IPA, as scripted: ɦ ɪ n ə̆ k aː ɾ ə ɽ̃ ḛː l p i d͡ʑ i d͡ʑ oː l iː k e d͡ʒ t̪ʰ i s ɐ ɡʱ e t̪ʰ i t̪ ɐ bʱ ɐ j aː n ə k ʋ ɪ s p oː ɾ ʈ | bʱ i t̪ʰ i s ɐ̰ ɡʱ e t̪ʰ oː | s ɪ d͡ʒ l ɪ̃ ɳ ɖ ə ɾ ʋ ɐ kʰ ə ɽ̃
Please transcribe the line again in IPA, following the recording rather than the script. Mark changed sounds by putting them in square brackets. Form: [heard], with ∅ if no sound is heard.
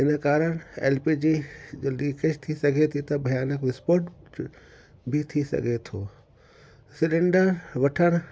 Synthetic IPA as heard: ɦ ɪ n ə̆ k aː ɾ ə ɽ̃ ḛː l p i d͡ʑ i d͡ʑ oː l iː k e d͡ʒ t̪ʰ i s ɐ ɡʱ e t̪ʰ i t̪ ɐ bʱ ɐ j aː n ə k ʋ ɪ s p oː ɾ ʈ | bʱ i t̪ʰ i s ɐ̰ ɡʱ e t̪ʰ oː | s ɪ [∅] l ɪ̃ ɳ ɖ ə ɾ ʋ ɐ [ʈʰ] ə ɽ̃

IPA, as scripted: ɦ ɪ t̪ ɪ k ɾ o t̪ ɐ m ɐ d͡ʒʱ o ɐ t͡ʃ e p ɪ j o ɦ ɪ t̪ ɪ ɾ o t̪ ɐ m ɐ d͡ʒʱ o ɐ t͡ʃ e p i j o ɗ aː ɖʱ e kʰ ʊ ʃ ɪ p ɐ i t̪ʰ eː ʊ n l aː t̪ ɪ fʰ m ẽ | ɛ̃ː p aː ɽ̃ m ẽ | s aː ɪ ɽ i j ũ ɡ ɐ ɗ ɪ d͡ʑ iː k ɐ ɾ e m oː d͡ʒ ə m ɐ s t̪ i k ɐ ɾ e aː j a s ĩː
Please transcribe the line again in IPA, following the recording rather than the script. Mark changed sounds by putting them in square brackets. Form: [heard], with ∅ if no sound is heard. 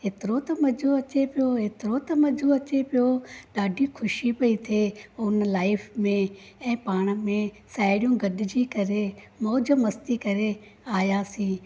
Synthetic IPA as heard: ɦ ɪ t̪ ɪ [∅] ɾ o t̪ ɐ m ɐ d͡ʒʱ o ɐ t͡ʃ e p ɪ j o ɦ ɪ t̪ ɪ ɾ o t̪ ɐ m ɐ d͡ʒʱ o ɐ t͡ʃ e p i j o ɗ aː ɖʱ [i] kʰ ʊ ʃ [i] p ɐ i t̪ʰ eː ʊ n l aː [∅] ɪ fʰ m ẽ | ɛ̃ː p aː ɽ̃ m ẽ | s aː ɪ ɽ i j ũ ɡ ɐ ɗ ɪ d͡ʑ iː k ɐ ɾ e m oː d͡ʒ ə m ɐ s t̪ i k ɐ ɾ e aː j a s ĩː

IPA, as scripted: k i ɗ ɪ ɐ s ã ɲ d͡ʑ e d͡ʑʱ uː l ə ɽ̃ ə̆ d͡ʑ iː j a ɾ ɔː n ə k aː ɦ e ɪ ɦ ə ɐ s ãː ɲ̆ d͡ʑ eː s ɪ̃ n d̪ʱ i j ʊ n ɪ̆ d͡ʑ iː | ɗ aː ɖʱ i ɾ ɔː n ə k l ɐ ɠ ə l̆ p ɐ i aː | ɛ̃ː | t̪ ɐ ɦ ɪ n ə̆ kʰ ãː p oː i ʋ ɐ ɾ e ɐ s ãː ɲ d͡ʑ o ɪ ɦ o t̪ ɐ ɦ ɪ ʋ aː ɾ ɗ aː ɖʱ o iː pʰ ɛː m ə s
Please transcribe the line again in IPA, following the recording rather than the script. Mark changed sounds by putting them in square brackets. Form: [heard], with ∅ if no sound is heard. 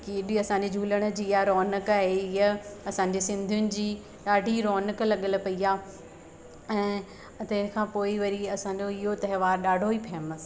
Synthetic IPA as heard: k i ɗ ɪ ɐ s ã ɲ d͡ʑ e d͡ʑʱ uː l ə ɽ̃ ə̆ d͡ʑ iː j a ɾ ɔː n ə k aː ɦ e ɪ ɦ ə ɐ s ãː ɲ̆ d͡ʑ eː s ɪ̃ n d̪ʱ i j ʊ n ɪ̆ d͡ʑ iː | ɗ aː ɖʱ i ɾ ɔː n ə k l ɐ ɠ ə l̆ p ɐ i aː | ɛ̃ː | t̪ ɐ ɦ ɪ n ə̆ kʰ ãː p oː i ʋ ɐ ɾ [i] ɐ s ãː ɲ d͡ʑ o ɪ ɦ o t̪ ɐ ɦ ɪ ʋ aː ɾ ɗ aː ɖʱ o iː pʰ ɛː m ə s

